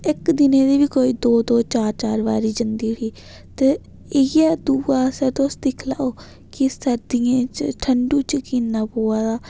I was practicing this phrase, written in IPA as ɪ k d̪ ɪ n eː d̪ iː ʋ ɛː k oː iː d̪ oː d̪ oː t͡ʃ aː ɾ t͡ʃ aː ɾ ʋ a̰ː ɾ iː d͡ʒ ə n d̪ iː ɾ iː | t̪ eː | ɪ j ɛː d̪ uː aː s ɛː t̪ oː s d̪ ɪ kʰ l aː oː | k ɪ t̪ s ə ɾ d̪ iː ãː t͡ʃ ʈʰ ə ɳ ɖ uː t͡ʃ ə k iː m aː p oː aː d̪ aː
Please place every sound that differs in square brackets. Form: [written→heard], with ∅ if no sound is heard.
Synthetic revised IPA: ɪ k d̪ ɪ n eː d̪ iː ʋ [ɛː→iː] k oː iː d̪ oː d̪ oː t͡ʃ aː ɾ t͡ʃ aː ɾ ʋ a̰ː ɾ iː d͡ʒ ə n d̪ iː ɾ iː | t̪ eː | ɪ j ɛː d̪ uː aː s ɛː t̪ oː s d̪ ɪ kʰ l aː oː | k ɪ [t̪→∅] s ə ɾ d̪ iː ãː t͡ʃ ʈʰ ə ɳ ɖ uː t͡ʃ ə k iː [m→n] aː p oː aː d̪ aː